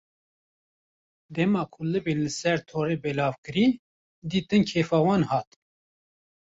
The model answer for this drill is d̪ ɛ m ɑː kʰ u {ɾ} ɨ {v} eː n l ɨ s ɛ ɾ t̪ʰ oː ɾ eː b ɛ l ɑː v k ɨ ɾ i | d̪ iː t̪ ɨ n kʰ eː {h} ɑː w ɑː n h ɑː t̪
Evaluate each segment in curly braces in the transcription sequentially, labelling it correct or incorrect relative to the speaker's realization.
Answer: incorrect, incorrect, incorrect

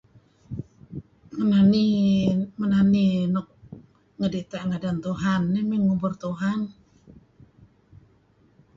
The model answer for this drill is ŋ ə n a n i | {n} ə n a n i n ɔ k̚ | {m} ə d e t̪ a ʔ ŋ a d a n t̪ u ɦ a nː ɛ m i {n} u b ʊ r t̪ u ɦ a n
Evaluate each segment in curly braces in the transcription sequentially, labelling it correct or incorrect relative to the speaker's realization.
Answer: incorrect, incorrect, incorrect

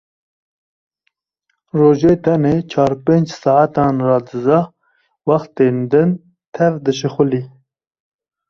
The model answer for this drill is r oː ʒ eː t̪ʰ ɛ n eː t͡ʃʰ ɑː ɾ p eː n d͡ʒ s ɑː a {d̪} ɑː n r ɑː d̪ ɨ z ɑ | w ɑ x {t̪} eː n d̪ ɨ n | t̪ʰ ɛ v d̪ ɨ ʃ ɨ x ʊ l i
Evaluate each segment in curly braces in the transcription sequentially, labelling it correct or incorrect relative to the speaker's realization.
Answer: incorrect, correct

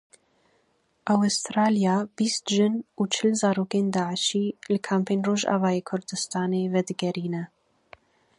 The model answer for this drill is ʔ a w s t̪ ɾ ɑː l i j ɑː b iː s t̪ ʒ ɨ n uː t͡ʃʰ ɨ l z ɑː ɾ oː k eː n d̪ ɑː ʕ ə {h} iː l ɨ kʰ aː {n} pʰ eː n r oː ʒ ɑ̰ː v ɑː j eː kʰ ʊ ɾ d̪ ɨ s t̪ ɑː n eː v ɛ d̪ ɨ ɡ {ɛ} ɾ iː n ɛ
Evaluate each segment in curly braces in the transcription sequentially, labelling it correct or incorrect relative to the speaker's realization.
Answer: incorrect, incorrect, correct

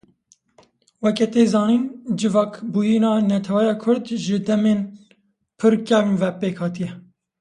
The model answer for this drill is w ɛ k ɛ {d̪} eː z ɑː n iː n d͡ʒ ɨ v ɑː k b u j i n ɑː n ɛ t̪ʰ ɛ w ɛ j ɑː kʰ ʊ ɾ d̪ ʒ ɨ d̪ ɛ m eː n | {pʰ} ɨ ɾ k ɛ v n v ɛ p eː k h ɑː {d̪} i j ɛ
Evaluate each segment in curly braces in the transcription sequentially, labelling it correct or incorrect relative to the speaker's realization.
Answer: incorrect, correct, incorrect

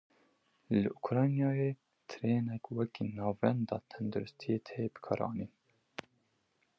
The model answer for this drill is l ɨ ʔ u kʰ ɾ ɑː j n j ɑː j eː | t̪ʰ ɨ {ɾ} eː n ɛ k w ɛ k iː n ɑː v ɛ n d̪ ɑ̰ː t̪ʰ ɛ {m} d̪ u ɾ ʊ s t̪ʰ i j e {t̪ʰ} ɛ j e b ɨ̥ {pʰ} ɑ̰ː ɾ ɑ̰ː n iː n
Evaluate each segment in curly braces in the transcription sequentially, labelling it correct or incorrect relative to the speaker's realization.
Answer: correct, incorrect, correct, incorrect

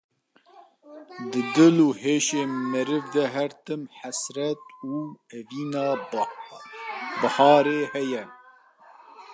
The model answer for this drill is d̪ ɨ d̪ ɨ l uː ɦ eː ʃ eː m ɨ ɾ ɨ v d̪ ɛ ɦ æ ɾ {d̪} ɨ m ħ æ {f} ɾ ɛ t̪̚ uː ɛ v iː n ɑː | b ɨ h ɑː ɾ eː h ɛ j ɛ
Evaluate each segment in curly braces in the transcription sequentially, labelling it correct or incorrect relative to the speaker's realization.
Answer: incorrect, incorrect

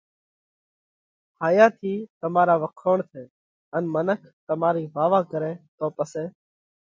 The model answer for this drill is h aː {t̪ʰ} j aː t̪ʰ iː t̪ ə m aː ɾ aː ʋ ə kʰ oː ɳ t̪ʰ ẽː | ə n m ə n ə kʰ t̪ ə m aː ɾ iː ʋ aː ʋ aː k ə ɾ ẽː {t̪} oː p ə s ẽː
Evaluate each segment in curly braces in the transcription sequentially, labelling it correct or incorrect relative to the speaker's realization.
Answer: incorrect, correct

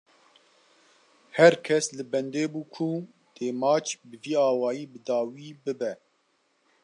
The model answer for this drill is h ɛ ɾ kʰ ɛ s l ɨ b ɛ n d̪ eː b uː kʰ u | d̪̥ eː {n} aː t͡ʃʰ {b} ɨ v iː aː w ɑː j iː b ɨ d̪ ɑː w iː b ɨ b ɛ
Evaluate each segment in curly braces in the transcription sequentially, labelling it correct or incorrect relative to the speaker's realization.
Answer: incorrect, correct

